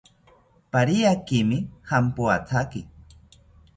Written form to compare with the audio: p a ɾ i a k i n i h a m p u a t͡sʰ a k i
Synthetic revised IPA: p a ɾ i a k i m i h a m p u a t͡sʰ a k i